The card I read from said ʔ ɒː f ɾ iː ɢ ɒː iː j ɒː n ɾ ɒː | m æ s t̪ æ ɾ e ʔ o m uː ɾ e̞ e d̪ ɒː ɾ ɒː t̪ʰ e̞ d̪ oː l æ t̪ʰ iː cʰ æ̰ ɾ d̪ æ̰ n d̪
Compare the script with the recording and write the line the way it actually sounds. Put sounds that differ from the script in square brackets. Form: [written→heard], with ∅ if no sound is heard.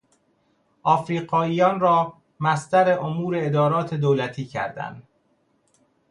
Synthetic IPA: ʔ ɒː f ɾ iː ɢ ɒː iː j ɒː n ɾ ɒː | m æ s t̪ æ ɾ e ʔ o m uː ɾ e̞ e d̪ ɒː ɾ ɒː t̪ʰ e̞ d̪ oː l æ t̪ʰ iː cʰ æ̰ ɾ d̪ æ̰ n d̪